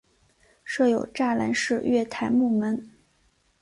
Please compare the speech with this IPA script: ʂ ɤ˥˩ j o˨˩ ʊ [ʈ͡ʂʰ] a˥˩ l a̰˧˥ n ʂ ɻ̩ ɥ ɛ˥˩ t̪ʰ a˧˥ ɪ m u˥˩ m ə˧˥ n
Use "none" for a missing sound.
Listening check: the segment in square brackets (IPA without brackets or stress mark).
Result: ʈ͡ʂ